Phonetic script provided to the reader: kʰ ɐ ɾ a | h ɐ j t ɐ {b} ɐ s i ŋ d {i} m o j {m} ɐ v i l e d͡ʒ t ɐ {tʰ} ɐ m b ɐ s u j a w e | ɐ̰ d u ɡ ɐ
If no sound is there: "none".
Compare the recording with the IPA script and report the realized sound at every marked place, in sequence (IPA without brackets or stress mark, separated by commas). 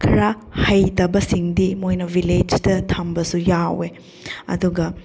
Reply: b, i, n, tʰ